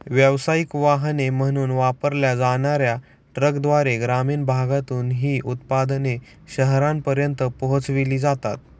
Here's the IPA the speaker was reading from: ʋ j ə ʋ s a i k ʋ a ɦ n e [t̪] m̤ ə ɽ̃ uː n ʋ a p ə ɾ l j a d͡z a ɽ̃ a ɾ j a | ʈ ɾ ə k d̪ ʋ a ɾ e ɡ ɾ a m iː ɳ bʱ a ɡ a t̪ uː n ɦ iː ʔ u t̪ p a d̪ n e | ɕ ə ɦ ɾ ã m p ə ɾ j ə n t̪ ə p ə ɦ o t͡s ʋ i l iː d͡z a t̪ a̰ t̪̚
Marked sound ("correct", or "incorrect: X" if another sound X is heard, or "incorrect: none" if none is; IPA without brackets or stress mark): incorrect: none